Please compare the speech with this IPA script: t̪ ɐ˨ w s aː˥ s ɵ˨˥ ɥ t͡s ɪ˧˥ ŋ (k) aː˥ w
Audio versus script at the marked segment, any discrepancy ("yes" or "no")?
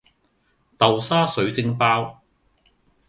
yes